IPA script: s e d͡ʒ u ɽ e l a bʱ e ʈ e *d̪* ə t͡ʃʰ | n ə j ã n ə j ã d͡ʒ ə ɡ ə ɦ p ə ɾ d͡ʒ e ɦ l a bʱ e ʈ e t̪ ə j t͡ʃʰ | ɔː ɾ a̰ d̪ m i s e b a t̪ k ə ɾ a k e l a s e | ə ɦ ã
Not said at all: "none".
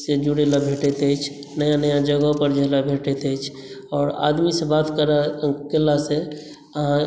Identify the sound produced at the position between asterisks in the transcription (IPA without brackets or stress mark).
t̪